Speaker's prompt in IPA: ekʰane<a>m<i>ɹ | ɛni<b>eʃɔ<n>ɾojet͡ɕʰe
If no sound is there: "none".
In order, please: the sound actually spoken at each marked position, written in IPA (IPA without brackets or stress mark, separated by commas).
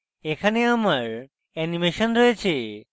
a, a, m, n